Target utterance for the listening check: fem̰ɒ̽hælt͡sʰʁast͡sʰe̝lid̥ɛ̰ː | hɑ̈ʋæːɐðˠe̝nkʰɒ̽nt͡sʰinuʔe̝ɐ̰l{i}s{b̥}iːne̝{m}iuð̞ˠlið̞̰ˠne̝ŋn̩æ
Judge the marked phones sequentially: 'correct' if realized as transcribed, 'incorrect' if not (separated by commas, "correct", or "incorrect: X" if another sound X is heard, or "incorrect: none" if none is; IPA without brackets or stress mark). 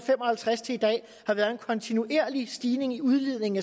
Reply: correct, incorrect: d̥, incorrect: ŋ